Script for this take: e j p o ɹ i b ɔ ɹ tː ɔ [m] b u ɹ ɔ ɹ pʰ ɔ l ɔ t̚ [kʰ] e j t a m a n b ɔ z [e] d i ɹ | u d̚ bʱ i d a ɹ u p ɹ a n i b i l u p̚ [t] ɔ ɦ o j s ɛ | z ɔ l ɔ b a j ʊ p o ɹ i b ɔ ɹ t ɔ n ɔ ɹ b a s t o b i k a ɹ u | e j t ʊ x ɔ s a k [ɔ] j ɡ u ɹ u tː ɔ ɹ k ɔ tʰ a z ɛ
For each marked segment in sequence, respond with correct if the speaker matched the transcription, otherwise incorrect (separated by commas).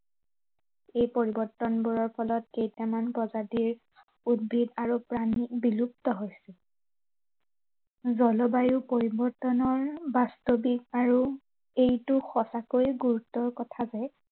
incorrect, incorrect, incorrect, correct, incorrect